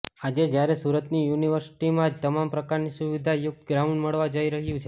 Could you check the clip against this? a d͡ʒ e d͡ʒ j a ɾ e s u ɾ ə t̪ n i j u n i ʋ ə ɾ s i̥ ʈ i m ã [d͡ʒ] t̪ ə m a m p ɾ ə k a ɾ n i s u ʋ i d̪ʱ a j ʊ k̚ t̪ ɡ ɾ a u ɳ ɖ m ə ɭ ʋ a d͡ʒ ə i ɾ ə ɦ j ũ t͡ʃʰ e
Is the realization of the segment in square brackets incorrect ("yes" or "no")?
no